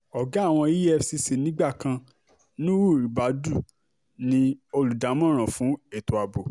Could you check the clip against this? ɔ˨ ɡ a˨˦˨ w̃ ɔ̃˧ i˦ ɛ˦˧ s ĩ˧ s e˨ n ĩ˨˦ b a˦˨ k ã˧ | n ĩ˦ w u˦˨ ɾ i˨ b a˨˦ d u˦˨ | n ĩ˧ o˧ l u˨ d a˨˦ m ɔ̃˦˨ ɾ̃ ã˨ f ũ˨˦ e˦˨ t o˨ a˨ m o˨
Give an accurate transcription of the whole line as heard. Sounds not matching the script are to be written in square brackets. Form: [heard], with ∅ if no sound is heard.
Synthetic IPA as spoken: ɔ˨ ɡ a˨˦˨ w̃ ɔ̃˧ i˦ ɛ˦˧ s [i˧] s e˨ n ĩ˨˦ [ɡ͡b] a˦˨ k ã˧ | n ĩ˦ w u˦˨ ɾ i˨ b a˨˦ d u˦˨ | n ĩ˧ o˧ l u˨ d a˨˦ m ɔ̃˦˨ ɾ̃ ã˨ f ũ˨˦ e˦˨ t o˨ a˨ [b] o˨